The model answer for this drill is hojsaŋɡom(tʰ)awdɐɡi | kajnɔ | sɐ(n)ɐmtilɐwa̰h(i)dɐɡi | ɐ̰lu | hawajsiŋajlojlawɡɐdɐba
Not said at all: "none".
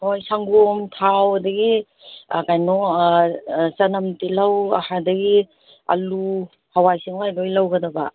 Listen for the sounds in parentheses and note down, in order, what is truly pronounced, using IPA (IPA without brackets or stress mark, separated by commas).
tʰ, n, a